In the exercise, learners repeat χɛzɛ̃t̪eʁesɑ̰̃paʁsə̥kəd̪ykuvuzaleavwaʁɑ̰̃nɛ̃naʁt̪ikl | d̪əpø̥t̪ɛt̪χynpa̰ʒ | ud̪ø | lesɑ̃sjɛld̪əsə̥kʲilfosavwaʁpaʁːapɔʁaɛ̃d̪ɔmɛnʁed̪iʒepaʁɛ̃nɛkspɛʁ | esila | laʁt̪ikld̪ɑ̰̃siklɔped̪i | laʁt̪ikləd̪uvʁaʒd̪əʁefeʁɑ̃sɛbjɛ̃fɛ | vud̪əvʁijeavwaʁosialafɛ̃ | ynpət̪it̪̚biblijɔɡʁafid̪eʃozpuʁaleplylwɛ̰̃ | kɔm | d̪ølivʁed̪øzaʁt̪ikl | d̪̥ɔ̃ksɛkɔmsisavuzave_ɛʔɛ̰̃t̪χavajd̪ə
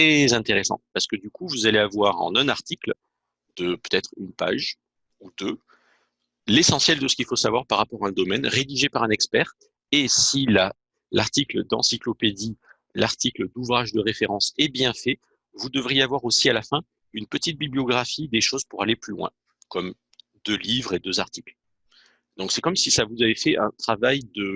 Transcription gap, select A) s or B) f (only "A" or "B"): B